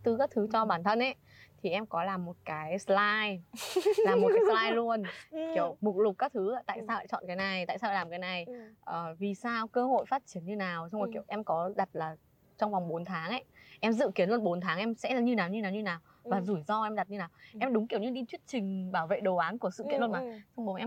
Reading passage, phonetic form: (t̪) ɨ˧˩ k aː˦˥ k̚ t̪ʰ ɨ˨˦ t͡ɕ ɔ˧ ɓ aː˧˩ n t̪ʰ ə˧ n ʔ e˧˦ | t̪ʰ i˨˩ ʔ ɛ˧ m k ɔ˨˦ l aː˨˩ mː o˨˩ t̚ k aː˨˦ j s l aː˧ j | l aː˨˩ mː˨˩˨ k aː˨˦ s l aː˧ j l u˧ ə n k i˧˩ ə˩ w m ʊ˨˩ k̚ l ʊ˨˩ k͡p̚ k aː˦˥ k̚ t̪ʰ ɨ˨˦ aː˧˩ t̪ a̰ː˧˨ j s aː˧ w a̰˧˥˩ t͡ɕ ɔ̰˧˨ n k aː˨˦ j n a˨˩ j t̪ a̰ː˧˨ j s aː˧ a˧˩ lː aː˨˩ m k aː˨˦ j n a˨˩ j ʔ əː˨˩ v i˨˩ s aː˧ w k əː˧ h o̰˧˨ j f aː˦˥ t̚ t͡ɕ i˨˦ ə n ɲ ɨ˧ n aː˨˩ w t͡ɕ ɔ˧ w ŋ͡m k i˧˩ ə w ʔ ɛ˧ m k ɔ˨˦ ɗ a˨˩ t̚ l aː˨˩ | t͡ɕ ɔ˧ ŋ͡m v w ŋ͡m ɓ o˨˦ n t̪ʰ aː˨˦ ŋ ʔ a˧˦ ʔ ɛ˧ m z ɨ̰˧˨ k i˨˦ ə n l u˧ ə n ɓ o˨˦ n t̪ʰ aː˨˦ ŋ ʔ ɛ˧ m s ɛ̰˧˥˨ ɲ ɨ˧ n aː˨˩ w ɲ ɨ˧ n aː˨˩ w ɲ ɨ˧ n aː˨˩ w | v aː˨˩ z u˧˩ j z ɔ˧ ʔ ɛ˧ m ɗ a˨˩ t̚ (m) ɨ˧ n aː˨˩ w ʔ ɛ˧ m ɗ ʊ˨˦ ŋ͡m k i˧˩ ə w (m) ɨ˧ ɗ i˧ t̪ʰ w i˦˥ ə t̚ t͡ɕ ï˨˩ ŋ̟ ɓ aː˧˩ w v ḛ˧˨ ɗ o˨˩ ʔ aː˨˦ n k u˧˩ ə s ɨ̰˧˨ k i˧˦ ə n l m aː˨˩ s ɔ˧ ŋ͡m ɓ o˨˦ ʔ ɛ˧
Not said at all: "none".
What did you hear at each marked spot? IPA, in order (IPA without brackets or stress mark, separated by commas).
t̪, ɲ, ɲ